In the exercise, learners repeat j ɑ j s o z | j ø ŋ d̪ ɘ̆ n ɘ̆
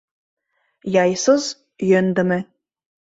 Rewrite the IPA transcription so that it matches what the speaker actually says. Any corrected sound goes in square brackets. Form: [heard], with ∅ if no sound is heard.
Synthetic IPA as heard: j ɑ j s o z | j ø [n] d̪ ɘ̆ [m] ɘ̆